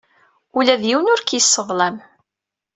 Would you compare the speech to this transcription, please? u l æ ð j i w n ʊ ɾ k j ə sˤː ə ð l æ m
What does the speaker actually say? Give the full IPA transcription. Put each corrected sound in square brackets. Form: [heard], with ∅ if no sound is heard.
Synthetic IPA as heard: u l æ ð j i w n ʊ ɾ k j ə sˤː ə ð l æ m